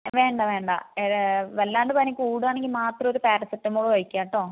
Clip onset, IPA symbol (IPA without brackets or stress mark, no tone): ʋ